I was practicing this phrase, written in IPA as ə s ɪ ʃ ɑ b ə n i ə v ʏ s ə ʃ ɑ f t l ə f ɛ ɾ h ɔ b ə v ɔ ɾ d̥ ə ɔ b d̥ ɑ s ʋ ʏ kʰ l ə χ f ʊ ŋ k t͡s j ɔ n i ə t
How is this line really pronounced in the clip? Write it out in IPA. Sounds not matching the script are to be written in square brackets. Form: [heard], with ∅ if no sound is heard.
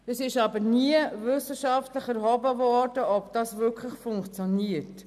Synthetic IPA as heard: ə s ɪ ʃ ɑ b ə n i ə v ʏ s ə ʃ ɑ f t l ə [χ] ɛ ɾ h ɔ b ə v ɔ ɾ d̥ ə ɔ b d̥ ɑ s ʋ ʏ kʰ l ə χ f ʊ ŋ k t͡s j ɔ n i ə t